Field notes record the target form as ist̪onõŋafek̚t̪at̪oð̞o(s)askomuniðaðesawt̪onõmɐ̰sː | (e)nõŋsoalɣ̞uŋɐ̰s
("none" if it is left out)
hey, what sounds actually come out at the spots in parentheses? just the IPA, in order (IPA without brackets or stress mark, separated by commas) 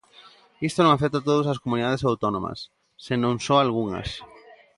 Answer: s, e